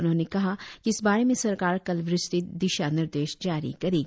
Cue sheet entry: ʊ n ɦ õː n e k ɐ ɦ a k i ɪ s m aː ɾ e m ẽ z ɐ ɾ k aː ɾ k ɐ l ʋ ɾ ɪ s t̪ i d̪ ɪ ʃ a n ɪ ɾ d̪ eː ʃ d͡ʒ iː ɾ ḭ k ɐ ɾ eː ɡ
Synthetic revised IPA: ʊ n ɦ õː n e k ɐ ɦ a k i ɪ s b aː ɾ e m ẽ s ɐ ɾ k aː ɾ k ɐ l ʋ ɾ ɪ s t̪ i d̪ ɪ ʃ a n ɪ ɾ d̪ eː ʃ d͡ʒ aː ɾ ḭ k ɐ ɾ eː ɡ